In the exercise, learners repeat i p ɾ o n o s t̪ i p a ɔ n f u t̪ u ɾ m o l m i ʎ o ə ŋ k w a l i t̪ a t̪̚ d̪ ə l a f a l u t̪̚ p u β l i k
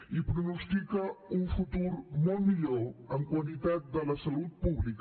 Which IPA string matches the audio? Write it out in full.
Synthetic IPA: i p ɾ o n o s t̪ i k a u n f u t̪ u ɾ m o l m i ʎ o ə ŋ k w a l i t̪ a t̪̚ d̪ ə l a s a l u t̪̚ p u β l i k